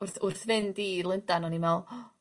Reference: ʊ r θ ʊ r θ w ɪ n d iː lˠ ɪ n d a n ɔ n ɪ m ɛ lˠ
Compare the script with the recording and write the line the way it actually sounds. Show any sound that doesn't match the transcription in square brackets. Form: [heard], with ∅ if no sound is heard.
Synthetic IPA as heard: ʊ r θ ʊ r θ [v] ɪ n d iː lˠ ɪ n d a n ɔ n [i] m ɛ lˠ